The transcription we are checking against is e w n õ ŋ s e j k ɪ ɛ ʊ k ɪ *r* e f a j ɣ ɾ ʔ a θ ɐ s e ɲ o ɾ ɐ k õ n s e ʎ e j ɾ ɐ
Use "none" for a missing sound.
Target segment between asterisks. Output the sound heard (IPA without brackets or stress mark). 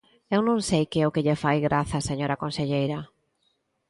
ʎ